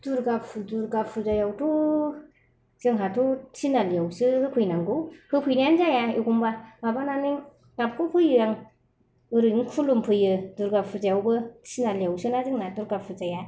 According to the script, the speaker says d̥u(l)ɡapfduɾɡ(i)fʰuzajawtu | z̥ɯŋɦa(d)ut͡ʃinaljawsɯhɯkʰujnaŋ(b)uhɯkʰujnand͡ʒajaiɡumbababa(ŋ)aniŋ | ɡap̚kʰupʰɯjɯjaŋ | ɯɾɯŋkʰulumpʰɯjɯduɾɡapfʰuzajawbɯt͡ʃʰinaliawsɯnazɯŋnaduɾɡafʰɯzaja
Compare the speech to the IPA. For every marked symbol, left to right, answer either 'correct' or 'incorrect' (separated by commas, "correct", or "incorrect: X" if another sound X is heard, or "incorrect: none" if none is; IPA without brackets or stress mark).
incorrect: ɾ, incorrect: a, incorrect: t, incorrect: ɡ, incorrect: n